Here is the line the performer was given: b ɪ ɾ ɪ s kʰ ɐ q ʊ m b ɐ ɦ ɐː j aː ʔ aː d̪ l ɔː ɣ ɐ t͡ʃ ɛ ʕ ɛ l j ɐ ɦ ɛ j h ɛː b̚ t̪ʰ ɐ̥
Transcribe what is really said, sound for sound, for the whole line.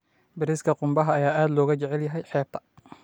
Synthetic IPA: b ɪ ɾ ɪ s kʰ ɐ q ʊ m b ɐ ɦ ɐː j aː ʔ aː d̪ l ɔː ɣ ɐ t͡ʃ ɛ ʕ ɛ l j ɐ ɦ ɛ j ħ ɛː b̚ t̪ʰ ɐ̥